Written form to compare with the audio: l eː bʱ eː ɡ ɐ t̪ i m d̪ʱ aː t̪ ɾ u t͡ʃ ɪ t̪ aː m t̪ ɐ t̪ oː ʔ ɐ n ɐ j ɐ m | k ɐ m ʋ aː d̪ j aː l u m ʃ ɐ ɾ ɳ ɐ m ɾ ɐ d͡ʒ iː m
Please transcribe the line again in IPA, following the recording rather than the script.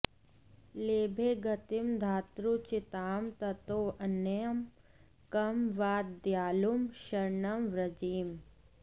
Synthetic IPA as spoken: l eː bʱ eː ɡ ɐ t̪ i m d̪ʱ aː t̪ ɾ u t͡ʃ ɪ t̪ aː m t̪ ɐ t̪ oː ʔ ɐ n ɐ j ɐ m | k ɐ m ʋ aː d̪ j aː l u m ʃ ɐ ɾ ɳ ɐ m ɾ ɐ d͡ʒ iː m